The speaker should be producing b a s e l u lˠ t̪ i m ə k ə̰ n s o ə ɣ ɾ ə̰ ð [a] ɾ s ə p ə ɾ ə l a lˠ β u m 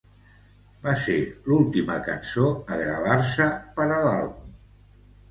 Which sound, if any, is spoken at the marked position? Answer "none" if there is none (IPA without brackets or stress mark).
a